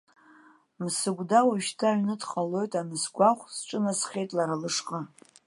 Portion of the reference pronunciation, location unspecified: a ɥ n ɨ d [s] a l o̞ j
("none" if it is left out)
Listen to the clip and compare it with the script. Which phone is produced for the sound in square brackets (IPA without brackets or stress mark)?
χ